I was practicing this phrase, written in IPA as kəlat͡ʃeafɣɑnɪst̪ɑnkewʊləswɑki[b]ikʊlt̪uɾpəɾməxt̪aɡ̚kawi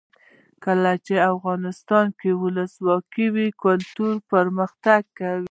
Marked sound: incorrect: w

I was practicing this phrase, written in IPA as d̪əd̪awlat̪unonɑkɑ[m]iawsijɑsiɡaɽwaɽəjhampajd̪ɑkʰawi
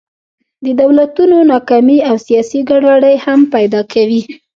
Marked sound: correct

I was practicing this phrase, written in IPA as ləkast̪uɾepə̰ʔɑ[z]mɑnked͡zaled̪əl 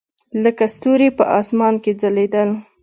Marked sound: incorrect: s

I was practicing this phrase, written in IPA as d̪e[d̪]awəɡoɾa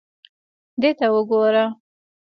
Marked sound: incorrect: t̪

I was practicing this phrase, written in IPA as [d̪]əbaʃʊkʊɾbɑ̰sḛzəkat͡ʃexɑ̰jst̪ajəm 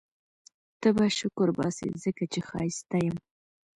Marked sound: incorrect: t̪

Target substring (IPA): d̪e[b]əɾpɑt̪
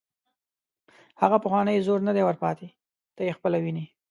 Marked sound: incorrect: w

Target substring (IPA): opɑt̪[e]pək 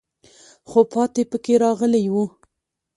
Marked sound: correct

